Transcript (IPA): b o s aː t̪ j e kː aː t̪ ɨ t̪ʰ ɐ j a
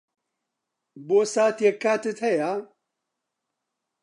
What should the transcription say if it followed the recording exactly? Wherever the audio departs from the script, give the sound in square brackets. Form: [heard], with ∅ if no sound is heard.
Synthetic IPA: b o s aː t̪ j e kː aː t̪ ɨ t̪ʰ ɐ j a